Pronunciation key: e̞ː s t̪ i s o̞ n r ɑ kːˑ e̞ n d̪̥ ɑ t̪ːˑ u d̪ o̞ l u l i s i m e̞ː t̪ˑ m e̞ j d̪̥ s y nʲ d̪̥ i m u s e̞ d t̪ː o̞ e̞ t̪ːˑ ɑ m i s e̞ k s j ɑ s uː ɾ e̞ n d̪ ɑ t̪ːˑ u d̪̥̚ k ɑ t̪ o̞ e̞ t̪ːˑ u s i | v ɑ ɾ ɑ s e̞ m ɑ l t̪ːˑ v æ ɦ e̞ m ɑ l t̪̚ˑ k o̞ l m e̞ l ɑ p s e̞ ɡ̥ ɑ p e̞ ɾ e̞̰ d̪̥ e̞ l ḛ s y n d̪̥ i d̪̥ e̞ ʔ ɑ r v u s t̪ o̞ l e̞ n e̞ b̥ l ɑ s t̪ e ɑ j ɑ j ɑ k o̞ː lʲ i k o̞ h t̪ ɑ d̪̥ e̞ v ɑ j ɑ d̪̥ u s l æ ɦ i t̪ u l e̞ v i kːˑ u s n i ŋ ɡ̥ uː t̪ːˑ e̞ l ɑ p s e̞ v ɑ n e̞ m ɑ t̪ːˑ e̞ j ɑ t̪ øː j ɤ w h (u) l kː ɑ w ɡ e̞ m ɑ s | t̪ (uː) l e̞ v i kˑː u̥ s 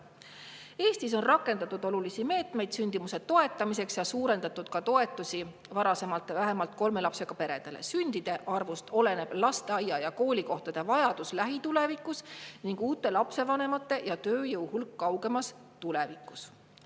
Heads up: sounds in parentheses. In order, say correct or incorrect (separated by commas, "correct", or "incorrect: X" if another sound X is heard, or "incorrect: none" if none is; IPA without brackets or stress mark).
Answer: correct, incorrect: u